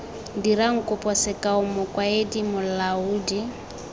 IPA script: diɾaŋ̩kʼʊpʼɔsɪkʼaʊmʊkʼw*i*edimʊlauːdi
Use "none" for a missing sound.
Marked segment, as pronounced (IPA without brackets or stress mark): a